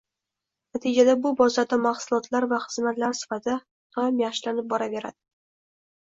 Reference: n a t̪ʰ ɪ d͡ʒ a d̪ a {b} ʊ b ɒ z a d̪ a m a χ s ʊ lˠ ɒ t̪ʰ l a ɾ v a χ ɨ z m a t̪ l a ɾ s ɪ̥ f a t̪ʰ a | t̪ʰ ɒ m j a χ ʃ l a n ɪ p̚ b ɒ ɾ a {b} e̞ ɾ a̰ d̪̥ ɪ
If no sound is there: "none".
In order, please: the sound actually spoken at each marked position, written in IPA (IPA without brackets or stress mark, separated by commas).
b, v